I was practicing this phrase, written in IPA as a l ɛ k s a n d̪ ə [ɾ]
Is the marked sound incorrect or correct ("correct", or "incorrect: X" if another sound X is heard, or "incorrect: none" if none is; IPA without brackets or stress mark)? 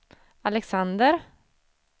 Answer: correct